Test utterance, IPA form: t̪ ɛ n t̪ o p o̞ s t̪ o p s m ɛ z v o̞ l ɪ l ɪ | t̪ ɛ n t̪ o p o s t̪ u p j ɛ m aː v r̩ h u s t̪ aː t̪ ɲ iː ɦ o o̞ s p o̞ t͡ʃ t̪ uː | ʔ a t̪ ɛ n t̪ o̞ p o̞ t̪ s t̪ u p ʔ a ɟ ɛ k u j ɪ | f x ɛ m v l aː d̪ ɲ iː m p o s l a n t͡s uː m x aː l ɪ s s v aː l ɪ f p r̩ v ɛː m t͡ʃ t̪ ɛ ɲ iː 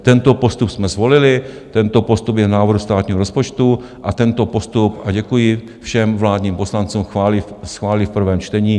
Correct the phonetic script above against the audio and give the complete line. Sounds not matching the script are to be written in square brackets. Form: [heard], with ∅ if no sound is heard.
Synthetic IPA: t̪ ɛ n t̪ o p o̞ s t̪ [u] p s m ɛ z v o̞ l ɪ l ɪ | t̪ ɛ n t̪ o p o s t̪ u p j ɛ [n] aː v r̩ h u s t̪ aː t̪ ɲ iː ɦ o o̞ s p o̞ t͡ʃ t̪ [u] | ʔ a t̪ ɛ n t̪ o̞ p o̞ [∅] s t̪ u p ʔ a ɟ ɛ k u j ɪ | f [ʃ] ɛ m v l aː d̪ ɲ iː m p o s l a n t͡s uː m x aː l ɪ s [x] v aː l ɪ f p r̩ v ɛː m t͡ʃ t̪ ɛ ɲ iː